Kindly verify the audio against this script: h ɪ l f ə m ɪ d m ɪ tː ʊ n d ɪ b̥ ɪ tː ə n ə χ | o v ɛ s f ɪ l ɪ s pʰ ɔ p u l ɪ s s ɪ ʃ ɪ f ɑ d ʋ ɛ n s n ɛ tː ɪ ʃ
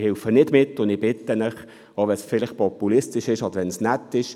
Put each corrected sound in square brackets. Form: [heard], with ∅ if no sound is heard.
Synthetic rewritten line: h ɪ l f ə [n] ɪ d m ɪ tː ʊ n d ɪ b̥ ɪ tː ə n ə χ | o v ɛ s f ɪ l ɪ [χ] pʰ ɔ p u l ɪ s [t] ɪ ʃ ɪ [ʃ] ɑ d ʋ ɛ n s n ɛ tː ɪ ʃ